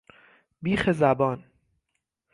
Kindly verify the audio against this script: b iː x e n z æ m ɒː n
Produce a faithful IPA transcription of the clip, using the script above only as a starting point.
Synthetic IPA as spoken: b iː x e z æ b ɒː n

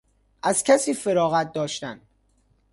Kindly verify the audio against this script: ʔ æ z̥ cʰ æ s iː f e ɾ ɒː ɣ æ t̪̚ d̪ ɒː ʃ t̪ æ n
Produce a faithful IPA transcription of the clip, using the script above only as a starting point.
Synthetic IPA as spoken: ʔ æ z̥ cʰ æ s iː f e ɾ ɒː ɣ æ t̪̚ d̪ ɒː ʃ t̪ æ n

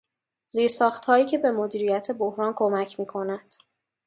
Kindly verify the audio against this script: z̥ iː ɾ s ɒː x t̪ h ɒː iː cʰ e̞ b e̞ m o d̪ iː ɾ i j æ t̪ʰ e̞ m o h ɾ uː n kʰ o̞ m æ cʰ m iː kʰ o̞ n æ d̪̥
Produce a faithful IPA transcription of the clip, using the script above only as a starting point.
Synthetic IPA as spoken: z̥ iː ɾ s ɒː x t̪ h ɒː iː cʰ e̞ b e̞ m o d̪ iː ɾ i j æ t̪ʰ e̞ b o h ɾ ɒː n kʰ o̞ m æ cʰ m iː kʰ o̞ n æ d̪̥

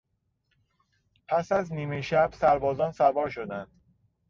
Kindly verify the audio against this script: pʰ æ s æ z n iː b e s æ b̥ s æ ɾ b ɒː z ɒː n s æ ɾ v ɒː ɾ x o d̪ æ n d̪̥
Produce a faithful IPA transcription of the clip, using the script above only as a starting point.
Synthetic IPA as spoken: pʰ æ s æ z n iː m e ʃ æ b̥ s æ ɾ b ɒː z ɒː n s æ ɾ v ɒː ɾ ʃ o d̪ æ n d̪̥

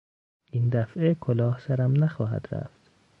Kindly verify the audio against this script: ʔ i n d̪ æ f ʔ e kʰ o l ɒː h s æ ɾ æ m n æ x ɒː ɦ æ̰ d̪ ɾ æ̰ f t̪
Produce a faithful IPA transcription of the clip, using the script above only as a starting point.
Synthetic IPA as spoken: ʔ i n d̪ æ f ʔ e kʰ o l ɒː h s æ ɾ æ m n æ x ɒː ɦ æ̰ d̪ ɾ æ̰ f t̪

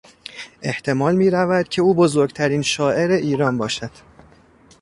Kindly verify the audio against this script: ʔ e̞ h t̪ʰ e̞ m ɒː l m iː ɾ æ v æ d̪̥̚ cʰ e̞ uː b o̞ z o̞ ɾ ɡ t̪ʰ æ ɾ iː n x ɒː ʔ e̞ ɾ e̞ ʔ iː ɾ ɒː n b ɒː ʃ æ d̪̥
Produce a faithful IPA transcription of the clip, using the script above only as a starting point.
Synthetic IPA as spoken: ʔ e̞ h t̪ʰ e̞ m ɒː l m iː ɾ æ v æ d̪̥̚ cʰ e̞ uː b o̞ z o̞ ɾ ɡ t̪ʰ æ ɾ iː n ʃ ɒː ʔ e̞ ɾ e̞ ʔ iː ɾ ɒː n b ɒː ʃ æ d̪̥

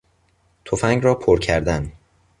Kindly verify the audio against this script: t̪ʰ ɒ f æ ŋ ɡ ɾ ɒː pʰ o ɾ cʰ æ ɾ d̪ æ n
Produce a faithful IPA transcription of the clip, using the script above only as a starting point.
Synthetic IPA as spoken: t̪ʰ o f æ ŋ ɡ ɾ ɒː pʰ o ɾ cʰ æ ɾ d̪ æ n

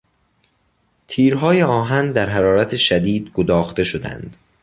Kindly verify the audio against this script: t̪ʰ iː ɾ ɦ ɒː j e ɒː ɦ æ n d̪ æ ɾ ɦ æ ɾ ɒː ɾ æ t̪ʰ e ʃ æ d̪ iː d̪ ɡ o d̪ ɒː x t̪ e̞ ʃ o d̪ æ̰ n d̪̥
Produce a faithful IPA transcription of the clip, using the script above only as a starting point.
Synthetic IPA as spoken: t̪ʰ iː ɾ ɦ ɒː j e ɒː ɦ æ n d̪ æ ɾ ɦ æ ɾ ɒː ɾ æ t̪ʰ e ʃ æ d̪ iː d̪ ɡ o d̪ ɒː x t̪ e̞ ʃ o d̪ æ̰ n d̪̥

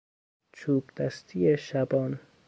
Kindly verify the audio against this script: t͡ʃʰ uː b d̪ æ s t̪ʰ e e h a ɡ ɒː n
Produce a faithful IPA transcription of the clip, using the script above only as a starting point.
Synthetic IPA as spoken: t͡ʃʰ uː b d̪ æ s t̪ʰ i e ʃ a b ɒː n

